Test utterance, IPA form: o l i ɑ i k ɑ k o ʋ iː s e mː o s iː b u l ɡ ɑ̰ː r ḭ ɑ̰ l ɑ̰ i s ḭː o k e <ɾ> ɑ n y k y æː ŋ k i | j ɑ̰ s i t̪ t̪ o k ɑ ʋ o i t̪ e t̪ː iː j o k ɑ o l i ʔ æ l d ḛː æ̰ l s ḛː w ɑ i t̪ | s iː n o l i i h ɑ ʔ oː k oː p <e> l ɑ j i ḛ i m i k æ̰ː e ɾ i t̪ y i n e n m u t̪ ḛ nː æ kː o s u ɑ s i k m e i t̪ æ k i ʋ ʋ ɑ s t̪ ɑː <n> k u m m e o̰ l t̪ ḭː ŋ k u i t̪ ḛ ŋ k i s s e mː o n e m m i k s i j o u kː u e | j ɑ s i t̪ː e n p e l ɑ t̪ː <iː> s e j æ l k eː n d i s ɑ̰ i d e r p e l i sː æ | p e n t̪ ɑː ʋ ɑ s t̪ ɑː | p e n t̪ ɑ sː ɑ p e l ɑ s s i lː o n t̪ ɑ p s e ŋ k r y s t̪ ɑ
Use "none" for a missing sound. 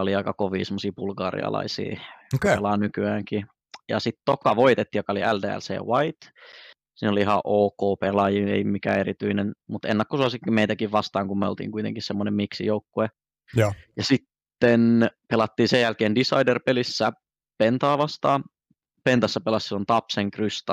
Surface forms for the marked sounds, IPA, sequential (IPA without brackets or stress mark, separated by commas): l, e, ŋ, iː